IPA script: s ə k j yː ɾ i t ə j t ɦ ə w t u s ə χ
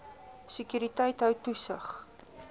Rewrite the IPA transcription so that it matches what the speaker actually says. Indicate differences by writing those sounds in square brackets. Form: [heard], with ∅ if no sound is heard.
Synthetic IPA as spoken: s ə k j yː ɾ i t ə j t ɦ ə w t u s ə χ